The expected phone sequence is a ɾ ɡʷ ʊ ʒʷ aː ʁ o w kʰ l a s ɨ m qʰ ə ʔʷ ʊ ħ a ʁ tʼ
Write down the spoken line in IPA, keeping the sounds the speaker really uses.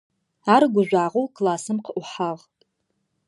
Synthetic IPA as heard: a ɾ ɡʷ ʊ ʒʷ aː ʁ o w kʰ l a s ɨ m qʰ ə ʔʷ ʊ ħ a ʁ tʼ